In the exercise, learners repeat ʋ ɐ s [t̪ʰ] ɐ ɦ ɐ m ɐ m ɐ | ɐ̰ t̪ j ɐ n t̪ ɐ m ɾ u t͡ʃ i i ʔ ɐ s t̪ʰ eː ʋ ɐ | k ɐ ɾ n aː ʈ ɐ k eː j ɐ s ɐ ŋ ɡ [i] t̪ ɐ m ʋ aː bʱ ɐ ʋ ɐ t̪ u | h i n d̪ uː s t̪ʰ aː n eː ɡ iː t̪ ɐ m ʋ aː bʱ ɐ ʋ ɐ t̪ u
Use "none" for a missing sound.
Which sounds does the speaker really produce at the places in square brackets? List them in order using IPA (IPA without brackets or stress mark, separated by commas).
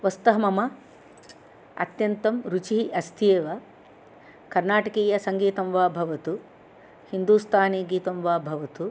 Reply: t̪, iː